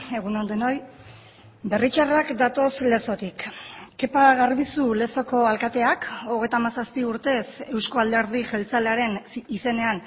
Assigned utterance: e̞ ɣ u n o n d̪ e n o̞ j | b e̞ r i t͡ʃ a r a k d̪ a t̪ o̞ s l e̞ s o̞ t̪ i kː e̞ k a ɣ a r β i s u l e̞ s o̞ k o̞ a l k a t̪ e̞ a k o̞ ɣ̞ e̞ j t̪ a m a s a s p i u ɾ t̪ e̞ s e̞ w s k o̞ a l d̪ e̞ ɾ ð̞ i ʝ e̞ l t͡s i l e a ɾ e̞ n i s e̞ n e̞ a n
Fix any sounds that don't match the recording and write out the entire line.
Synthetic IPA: e̞ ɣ u n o n d̪ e n o̞ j | b e̞ r i t͡ʃ a r a k d̪ a t̪ o̞ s l e̞ s o̞ t̪ i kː e̞ p a ɣ a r β i s u l e̞ s o̞ k o̞ a l k a t̪ e̞ a k o̞ ɣ̞ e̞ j t̪ a m a s a s p i u ɾ t̪ e̞ s e̞ w s k o̞ a l d̪ e̞ ɾ ð̞ i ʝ e̞ l t͡s a l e a ɾ e̞ n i s e̞ n e̞ a n

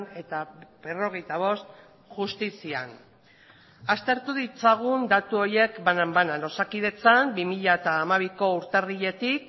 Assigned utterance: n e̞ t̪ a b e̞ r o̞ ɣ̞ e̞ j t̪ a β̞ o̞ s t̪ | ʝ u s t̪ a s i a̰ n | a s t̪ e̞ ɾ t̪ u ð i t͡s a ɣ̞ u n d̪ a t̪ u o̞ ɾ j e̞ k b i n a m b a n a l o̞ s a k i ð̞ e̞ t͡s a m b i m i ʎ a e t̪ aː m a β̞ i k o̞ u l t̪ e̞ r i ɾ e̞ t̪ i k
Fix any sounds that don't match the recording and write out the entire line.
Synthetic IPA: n e̞ t̪ a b e̞ r o̞ ɣ̞ e̞ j t̪ a β̞ o̞ s t̪ | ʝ u s t̪ i s i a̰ n | a s t̪ e̞ ɾ t̪ u ð i t͡s a ɣ̞ u n d̪ a t̪ u o̞ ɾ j e̞ k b a n a m b a n a l o̞ s a k i ð̞ e̞ t͡s a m b i m i ʎ a e t̪ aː m a β̞ i k o̞ u ɾ t̪ e̞ r i ʎ e̞ t̪ i k

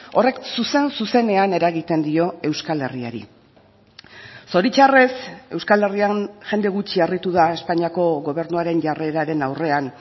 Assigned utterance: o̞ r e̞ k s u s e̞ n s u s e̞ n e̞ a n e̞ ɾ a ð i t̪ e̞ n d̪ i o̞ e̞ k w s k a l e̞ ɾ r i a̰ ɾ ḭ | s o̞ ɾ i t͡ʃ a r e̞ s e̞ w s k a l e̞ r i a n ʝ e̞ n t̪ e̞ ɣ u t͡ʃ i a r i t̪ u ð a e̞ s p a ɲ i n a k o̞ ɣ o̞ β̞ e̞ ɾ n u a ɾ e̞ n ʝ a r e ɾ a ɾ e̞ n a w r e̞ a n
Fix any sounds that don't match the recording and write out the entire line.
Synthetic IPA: o̞ r e̞ k s u s e̞ n s u s e̞ n e̞ a n e̞ ɾ a ɣ i t̪ e̞ n d̪ i o̞ e̞ w s k a l e̞ r i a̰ ɾ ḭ | s o̞ ɾ i t͡ʃ a r e̞ s e̞ w s k a l e̞ r i a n ʝ e̞ n d̪ e̞ ɣ u t͡ʃ i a r i t̪ u ð a e̞ s p a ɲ i a k o̞ ɣ o̞ β̞ e̞ ɾ n u a ɾ e̞ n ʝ a r e ɾ a ɾ e̞ n a w r e̞ a n

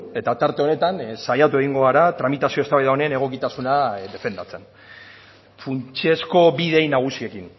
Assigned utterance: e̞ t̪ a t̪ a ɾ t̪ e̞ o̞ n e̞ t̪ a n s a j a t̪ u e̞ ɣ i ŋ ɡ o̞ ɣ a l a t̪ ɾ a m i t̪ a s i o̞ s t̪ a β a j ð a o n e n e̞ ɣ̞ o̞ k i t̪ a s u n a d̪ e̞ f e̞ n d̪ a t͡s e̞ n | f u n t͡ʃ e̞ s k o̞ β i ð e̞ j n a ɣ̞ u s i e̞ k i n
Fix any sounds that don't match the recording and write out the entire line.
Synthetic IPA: e̞ t̪ a t̪ a ɾ t̪ e̞ o̞ n e̞ t̪ a n s a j a t̪ u e̞ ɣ i ŋ ɡ o̞ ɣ a ɾ a t̪ ɾ a m i t̪ a s i o̞ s t̪ a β a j ð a o n e n e̞ ɣ̞ o̞ k i t̪ a s u n a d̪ e̞ f e̞ n d̪ a t͡s e̞ n | f u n t͡ʃ e̞ s k o̞ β i ð e̞ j n a ɣ̞ u s i e̞ k i n

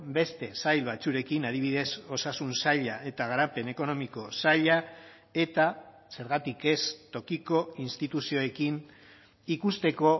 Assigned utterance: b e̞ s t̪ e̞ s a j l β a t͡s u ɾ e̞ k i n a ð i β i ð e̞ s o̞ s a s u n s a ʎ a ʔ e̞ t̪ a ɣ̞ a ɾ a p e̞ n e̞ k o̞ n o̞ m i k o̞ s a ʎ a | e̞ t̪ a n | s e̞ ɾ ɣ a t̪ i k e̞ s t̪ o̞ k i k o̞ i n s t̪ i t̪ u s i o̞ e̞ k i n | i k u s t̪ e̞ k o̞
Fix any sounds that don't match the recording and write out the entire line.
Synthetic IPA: b e̞ s t̪ e̞ s a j l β a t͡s u ɾ e̞ k i n a ð i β i ð e̞ s o̞ s a s u n s a ʎ a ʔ e̞ t̪ a ɣ̞ a ɾ a p e̞ n e̞ k o̞ n o̞ m i k o̞ s a ʎ a | e̞ t̪ a | s e̞ ɾ ɣ a t̪ i k e̞ s t̪ o̞ k i k o̞ i n s t̪ i t̪ u s i o̞ e̞ k i n | i k u s t̪ e̞ k o̞

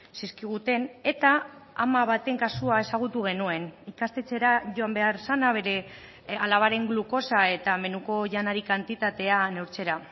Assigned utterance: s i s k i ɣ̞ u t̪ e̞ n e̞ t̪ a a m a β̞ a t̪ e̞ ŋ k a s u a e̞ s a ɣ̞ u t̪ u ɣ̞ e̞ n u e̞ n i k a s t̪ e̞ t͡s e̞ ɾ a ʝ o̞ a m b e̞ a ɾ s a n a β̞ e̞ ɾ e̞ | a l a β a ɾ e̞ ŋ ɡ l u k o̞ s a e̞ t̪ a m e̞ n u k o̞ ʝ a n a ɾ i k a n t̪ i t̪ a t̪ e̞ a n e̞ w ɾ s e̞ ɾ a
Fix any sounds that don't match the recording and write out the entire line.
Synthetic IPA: s i s k i ɣ̞ u t̪ e̞ n e̞ t̪ a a m a β̞ a t̪ e̞ ŋ k a s u a e̞ s a ɣ̞ u t̪ u ɣ̞ e̞ n u e̞ n i k a s t̪ e̞ t͡s e̞ ɾ a ʝ o̞ a m b e̞ a ɾ s a n a β̞ e̞ ɾ e̞ | a l a β a ɾ e̞ ŋ ɡ l u k o̞ s a e̞ t̪ a m e̞ n u k o̞ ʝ a n a ɾ i k a n t̪ i t̪ a t̪ e̞ a n e̞ w ɾ t͡s e̞ ɾ a

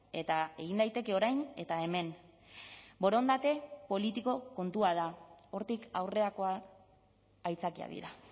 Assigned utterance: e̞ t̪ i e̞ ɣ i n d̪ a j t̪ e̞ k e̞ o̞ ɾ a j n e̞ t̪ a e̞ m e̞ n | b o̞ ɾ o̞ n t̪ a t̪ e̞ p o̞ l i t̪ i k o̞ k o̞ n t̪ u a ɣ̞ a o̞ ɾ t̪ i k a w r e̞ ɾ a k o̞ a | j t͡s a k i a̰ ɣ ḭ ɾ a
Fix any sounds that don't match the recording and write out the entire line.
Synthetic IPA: e̞ t̪ a e̞ ɣ i n d̪ a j t̪ e̞ k e̞ o̞ ɾ a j n e̞ t̪ a e̞ m e̞ n | b o̞ ɾ o̞ n d̪ a t̪ e̞ p o̞ l i t̪ i k o̞ k o̞ n t̪ u a ð̞ a o̞ ɾ t̪ i k a w r e̞ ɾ a k o̞ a | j t͡s a k i a̰ ð ḭ ɾ a

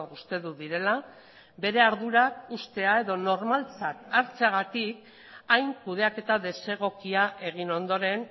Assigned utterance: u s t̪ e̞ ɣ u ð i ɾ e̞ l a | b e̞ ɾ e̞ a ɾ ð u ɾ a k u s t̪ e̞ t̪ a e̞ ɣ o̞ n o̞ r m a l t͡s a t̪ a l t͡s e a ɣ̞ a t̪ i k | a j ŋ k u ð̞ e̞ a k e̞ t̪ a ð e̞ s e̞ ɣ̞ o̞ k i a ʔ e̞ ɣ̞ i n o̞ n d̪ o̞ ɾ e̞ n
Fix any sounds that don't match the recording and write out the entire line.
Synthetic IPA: u s t̪ e̞ ð u ð i ɾ e̞ l a | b e̞ ɾ e̞ a ɾ ð u ɾ a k u s t̪ e̞ a e̞ ð o̞ n o̞ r m a l t͡s a t̪ a ɾ t͡s e a ɣ̞ a t̪ i k | a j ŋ k u ð̞ e̞ a k e̞ t̪ a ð e̞ s e̞ ɣ̞ o̞ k i a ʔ e̞ ɣ̞ i n o̞ n d̪ o̞ ɾ e̞ n

